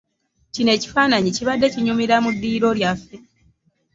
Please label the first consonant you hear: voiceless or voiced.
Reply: voiceless